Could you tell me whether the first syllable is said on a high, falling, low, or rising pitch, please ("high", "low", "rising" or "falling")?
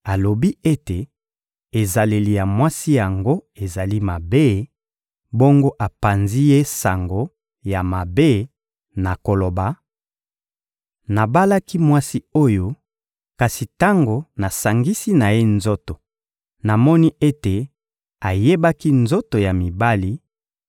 low